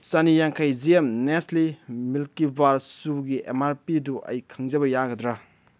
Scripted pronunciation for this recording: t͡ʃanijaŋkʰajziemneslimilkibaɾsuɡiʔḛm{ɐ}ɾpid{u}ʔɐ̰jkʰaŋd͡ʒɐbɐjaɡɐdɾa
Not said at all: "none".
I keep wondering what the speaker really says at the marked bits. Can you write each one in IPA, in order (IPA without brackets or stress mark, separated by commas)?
a, u